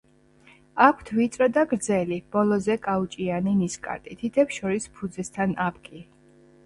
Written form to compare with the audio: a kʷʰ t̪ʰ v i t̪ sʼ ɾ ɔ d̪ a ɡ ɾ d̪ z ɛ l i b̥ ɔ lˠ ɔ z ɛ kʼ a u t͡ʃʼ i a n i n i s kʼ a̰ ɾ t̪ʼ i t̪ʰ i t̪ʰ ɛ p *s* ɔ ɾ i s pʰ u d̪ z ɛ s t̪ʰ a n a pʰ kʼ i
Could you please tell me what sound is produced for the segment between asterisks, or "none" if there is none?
ʃ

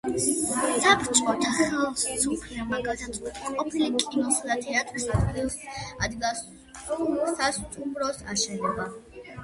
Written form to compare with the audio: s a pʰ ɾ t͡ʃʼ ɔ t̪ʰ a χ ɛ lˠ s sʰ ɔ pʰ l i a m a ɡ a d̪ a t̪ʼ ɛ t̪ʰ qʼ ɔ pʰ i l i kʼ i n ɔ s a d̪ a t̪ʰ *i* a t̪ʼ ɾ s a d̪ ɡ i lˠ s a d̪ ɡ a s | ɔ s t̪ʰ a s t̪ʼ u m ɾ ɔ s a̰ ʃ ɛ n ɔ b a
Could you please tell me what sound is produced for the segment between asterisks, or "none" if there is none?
ɛ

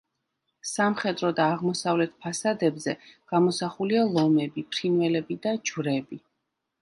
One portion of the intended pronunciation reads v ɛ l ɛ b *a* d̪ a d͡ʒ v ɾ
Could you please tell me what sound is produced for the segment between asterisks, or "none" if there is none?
i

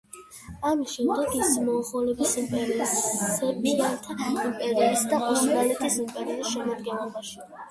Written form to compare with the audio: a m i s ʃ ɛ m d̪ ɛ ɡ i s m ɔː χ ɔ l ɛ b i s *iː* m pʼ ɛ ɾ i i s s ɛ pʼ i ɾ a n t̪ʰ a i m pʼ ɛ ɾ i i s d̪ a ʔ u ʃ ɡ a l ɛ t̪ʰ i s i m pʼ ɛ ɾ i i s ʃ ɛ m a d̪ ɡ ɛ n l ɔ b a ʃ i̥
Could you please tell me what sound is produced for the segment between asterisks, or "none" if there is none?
i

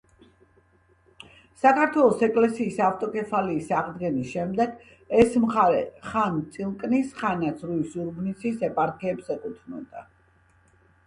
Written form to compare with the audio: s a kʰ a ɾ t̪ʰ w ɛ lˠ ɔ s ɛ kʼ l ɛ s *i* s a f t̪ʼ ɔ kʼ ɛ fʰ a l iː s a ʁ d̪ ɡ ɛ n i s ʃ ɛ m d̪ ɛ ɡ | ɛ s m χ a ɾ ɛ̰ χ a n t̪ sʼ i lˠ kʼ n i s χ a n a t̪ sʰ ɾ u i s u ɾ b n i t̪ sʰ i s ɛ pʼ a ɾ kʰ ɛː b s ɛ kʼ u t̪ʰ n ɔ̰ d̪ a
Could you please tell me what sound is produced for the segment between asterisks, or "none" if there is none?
iː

